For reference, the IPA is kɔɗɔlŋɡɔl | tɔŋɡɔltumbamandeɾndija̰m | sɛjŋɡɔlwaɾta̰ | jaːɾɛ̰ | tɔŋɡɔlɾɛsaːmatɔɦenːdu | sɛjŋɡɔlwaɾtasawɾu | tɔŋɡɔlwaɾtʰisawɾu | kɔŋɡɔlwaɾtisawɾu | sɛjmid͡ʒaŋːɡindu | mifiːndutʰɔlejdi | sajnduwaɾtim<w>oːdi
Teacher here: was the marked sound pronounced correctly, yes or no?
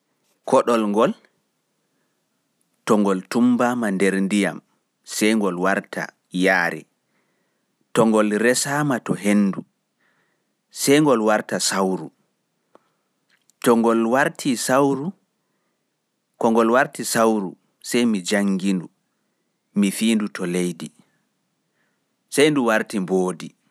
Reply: no